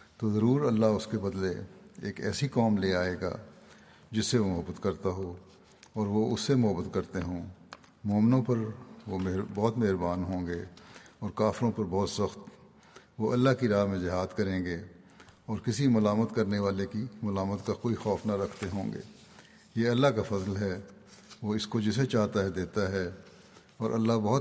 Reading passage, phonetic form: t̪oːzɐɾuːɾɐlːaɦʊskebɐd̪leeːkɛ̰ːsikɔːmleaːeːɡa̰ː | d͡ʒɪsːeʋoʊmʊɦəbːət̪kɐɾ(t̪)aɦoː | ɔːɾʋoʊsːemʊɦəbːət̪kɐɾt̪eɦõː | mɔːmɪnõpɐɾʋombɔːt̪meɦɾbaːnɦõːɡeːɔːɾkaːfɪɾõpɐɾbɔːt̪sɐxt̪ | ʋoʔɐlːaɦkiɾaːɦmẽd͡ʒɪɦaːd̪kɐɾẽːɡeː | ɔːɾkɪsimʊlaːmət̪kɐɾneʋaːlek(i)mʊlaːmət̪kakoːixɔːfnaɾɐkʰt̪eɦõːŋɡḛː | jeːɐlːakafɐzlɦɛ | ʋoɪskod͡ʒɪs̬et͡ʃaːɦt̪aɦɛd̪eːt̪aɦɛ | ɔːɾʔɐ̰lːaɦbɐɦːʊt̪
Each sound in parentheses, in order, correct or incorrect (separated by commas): correct, correct